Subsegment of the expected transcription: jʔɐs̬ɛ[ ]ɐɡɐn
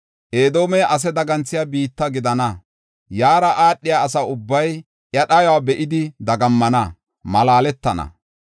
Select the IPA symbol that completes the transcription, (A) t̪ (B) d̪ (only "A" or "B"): B